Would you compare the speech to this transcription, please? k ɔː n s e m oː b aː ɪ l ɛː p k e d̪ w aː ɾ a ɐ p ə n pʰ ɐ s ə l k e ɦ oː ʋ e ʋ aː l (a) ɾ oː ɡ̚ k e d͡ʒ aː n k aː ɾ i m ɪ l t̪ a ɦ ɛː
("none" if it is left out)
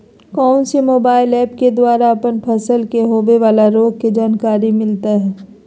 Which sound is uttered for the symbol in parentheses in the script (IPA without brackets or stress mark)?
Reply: a